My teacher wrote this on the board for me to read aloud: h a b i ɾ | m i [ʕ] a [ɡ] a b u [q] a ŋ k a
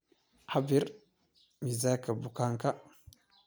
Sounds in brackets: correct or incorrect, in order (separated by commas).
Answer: incorrect, incorrect, incorrect